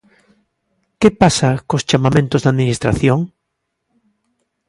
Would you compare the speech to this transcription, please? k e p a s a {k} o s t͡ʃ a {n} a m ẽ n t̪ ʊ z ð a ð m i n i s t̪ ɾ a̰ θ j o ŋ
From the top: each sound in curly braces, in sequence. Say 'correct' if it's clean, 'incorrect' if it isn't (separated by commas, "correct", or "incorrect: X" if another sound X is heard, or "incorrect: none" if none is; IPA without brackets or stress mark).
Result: correct, incorrect: m